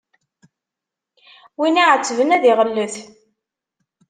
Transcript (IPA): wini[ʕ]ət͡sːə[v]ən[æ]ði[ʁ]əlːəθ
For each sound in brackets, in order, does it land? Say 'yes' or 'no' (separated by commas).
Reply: yes, yes, yes, yes